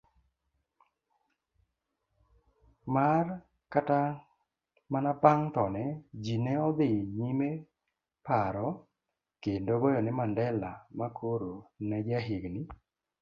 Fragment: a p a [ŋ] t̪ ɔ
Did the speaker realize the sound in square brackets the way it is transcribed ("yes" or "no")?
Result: yes